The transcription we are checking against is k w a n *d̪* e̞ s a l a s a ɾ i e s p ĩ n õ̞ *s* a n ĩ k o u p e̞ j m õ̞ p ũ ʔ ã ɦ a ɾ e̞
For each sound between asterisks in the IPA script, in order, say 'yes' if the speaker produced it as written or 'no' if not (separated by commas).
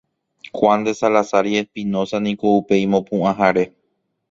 yes, yes